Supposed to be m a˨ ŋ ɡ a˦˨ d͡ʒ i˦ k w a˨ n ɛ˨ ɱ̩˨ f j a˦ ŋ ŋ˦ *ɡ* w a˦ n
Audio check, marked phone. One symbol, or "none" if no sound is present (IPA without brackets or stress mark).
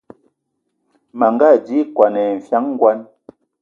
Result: ɡ